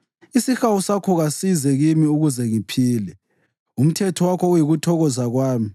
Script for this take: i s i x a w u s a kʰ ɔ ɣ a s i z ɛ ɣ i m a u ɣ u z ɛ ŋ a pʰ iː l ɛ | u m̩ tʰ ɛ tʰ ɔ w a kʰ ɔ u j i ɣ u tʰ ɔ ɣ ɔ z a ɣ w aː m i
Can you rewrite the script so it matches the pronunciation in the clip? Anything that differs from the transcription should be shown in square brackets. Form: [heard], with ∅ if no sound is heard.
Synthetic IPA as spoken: i s i x a w u s a kʰ ɔ ɣ a s i z ɛ ɣ i m [i] u ɣ u z ɛ ŋ [i] pʰ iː l ɛ | u m̩ tʰ ɛ tʰ ɔ w a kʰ ɔ u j i ɣ u tʰ ɔ ɣ ɔ z a ɣ w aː m i